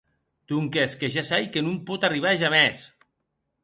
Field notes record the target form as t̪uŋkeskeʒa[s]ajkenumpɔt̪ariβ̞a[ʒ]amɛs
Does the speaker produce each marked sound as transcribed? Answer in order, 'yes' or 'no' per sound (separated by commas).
yes, yes